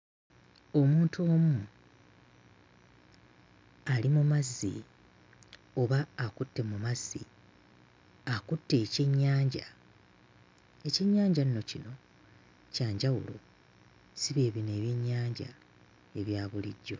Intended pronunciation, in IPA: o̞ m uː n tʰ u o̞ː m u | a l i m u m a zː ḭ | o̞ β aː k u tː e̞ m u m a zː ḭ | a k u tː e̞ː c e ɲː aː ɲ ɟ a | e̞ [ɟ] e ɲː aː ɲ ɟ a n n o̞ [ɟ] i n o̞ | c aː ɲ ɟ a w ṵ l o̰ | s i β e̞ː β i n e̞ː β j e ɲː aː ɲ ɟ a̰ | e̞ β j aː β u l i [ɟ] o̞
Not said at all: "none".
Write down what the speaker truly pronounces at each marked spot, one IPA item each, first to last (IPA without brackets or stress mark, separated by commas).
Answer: c, c, ɟː